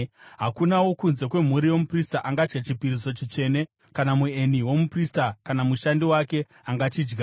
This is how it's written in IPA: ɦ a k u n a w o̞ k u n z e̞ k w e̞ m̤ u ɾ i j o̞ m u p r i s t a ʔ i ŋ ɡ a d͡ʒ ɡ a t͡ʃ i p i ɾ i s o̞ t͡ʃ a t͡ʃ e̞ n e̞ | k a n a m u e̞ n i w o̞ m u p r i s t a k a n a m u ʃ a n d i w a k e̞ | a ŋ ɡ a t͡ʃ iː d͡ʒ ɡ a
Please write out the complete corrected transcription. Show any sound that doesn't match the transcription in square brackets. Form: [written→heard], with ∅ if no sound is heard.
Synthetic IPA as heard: ɦ a k u n a w o̞ k u n z e̞ k w e̞ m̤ u ɾ i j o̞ m u p r i s t a ʔ [i→a] ŋ ɡ a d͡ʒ ɡ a t͡ʃ i p i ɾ i s o̞ t͡ʃ [a→i] t͡ʃ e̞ n e̞ | k a n a m u e̞ n i w o̞ m u p r i s t a k a n a m u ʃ a n d i w a k e̞ | a ŋ ɡ a t͡ʃ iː d͡ʒ ɡ a

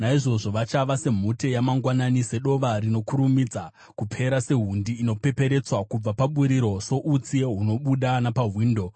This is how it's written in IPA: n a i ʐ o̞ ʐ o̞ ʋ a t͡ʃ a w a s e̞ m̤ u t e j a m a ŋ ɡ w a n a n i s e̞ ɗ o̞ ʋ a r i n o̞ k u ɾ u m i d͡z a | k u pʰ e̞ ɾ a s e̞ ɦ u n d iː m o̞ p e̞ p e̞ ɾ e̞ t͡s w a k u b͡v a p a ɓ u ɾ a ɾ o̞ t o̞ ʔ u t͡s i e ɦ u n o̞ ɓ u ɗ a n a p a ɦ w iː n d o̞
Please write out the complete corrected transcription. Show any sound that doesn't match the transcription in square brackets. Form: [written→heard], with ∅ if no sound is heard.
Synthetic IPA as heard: n a i ʐ o̞ ʐ o̞ ʋ a t͡ʃ a [w→ʋ] a s e̞ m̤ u t e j a m a ŋ ɡ w a n a n i s e̞ ɗ o̞ ʋ a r i n o̞ k u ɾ u m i d͡z a | k u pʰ e̞ ɾ a s e̞ ɦ u n d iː [m→n] o̞ p e̞ p e̞ ɾ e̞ t͡s w a k u b͡v a p a ɓ u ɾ [a→i] ɾ o̞ [t→s] o̞ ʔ u t͡s i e ɦ u n o̞ ɓ u ɗ a n a p a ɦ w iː n d o̞

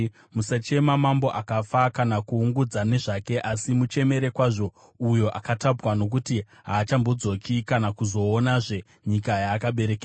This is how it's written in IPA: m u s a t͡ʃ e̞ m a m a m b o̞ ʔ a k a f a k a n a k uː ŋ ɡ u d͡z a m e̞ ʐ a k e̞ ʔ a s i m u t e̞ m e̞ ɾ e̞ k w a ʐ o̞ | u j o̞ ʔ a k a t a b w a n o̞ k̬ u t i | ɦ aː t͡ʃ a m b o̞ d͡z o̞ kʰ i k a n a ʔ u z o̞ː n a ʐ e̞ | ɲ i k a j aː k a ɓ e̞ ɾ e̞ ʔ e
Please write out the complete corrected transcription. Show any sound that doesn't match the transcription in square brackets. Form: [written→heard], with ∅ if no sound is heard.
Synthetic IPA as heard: m u s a t͡ʃ e̞ m a m a m b o̞ ʔ a k a f a k a n a k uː ŋ ɡ u d͡z a [m→n] e̞ ʐ a k e̞ ʔ a s i m u [t→t͡ʃ] e̞ m e̞ ɾ e̞ k w a ʐ o̞ | u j o̞ ʔ a k a t a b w a n o̞ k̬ u t i | ɦ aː t͡ʃ a m b o̞ d͡z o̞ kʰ i k a n a [ʔ→k] u z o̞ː n a ʐ e̞ | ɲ i k a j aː k a ɓ e̞ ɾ e̞ [ʔ→k] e

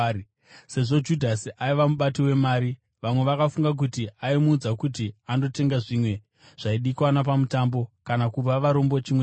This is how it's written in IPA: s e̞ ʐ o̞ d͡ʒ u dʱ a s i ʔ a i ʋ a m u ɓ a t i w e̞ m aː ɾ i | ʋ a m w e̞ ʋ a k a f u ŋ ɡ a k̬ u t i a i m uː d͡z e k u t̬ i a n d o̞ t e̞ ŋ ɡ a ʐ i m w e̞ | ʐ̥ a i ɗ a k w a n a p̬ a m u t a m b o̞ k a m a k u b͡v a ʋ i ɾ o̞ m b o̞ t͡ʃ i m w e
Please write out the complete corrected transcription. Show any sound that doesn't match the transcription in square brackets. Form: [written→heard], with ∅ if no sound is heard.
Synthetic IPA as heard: s e̞ ʐ o̞ d͡ʒ u dʱ a s i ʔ a i ʋ a m u ɓ a t i w e̞ m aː ɾ i | ʋ a m w e̞ ʋ a k a f u ŋ ɡ a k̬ u t i a i m uː d͡z [e→a] k u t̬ i a n d o̞ t e̞ ŋ ɡ a ʐ i m w e̞ | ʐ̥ a i ɗ [a→i] k w a n a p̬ a m u t a m b o̞ k a [m→n] a k u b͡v a ʋ [i→a] ɾ o̞ m b o̞ t͡ʃ i m w e

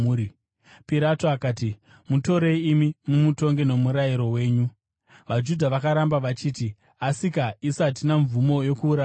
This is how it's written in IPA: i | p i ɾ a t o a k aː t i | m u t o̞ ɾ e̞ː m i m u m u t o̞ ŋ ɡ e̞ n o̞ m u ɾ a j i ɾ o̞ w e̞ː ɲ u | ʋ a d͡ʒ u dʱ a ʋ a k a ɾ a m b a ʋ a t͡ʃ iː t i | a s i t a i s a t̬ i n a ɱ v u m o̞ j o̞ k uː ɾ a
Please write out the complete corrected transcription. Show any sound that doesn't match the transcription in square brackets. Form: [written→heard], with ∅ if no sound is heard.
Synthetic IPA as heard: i | p i ɾ a t o a k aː t i | m u t o̞ ɾ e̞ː m i m u m u t o̞ ŋ ɡ e̞ n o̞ m u ɾ a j i ɾ o̞ w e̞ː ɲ u | ʋ a d͡ʒ u dʱ a ʋ a k a ɾ a m b a ʋ a t͡ʃ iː t i | a s i [t→k] a i s a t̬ i n a ɱ v u m o̞ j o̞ k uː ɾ a

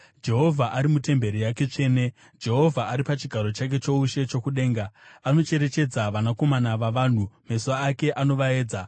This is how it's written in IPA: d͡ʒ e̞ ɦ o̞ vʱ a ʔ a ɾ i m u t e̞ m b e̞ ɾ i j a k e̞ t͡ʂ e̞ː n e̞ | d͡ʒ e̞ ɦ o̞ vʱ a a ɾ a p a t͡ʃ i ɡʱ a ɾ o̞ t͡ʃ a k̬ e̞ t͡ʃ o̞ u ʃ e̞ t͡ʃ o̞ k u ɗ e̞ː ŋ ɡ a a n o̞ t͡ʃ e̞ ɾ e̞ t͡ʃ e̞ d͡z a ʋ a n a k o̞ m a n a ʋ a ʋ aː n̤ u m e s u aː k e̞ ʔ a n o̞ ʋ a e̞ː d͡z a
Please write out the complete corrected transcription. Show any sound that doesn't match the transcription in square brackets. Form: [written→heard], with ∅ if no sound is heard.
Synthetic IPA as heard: d͡ʒ e̞ ɦ o̞ vʱ a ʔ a ɾ i m u t e̞ m b e̞ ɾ i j a k e̞ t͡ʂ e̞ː n e̞ | d͡ʒ e̞ ɦ o̞ vʱ a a ɾ [a→i] p a t͡ʃ i ɡʱ a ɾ o̞ t͡ʃ a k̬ e̞ t͡ʃ o̞ u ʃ e̞ t͡ʃ o̞ k u ɗ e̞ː ŋ ɡ a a n o̞ t͡ʃ e̞ ɾ e̞ t͡ʃ e̞ d͡z a ʋ a n a k o̞ m a n a ʋ a ʋ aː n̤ u m e s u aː k e̞ ʔ a n o̞ ʋ a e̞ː d͡z a

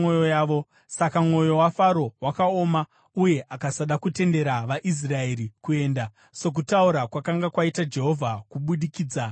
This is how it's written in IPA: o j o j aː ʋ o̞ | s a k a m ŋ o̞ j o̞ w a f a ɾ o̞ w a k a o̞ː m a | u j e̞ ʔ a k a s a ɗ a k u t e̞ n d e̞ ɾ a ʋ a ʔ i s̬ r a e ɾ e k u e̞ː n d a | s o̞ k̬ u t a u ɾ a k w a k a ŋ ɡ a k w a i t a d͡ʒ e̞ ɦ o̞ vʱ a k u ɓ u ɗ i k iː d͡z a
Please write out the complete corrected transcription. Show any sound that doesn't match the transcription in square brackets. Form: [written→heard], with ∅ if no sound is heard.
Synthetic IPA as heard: o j o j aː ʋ o̞ | s a k a m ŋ o̞ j o̞ w a f a ɾ o̞ w a k a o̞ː m a | u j e̞ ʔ a k a s a ɗ a k u t e̞ n d e̞ ɾ a ʋ a ʔ i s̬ r a e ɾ [e→i] k u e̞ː n d a | s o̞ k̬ u t a u ɾ a k w a k a ŋ ɡ a k w a i t a d͡ʒ e̞ ɦ o̞ vʱ a k u ɓ u ɗ i k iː d͡z a

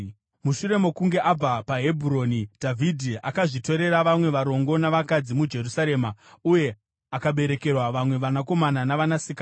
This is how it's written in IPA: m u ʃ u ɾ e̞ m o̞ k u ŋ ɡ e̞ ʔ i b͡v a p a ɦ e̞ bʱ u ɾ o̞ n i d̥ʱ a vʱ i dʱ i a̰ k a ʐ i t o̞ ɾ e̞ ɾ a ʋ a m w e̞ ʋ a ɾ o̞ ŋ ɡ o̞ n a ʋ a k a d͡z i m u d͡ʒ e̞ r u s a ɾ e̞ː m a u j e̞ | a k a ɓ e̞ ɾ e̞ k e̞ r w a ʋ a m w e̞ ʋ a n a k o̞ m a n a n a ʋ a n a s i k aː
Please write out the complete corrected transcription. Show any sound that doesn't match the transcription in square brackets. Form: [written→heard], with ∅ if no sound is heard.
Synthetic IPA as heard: m u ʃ u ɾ e̞ m o̞ k u ŋ ɡ e̞ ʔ [i→a] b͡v a p a ɦ e̞ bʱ u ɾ o̞ n i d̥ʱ a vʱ i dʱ i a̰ k a ʐ i t o̞ ɾ e̞ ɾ a ʋ a m w e̞ ʋ a ɾ o̞ ŋ ɡ o̞ n a ʋ a k a d͡z i m u d͡ʒ e̞ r u s a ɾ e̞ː m a u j e̞ | a k a ɓ e̞ ɾ e̞ k e̞ r w a ʋ a m w e̞ ʋ a n a k o̞ m a n a n a ʋ a n a s i k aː

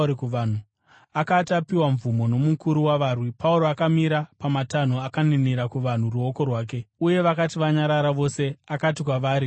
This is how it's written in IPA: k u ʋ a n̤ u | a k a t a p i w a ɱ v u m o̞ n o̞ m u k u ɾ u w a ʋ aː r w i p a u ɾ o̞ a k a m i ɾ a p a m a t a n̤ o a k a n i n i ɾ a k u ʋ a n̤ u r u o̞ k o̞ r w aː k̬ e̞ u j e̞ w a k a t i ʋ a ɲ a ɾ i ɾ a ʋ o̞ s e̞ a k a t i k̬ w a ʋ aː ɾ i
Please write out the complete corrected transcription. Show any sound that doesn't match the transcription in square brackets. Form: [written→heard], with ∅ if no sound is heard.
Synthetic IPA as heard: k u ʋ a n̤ u | a k a t a p i w a ɱ v u m o̞ n o̞ m u k u ɾ u w a ʋ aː r w i p a u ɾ o̞ a k a m i ɾ a p a m a t a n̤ o a k a n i n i ɾ a k u ʋ a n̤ u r u o̞ k o̞ r w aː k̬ e̞ u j e̞ [w→ʋ] a k a t i ʋ a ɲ a ɾ [i→a] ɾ a ʋ o̞ s e̞ a k a t i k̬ w a ʋ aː ɾ i

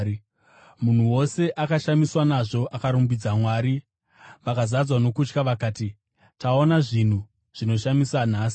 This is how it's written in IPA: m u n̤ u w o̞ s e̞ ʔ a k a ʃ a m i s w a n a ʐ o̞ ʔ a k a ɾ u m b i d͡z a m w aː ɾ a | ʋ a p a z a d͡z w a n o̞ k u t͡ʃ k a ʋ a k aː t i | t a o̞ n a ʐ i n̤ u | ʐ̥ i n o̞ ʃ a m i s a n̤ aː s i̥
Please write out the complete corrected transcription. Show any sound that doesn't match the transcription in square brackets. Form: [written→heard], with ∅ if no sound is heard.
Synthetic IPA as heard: m u n̤ u w o̞ s e̞ ʔ a k a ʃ a m i s w a n a ʐ o̞ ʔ a k a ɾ u m b i d͡z a m w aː ɾ [a→i] | ʋ a [p→k] a z a d͡z w a n o̞ k u t͡ʃ k a ʋ a k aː t i | t a o̞ n a ʐ i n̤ u | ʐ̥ i n o̞ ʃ a m i s a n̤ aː s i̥

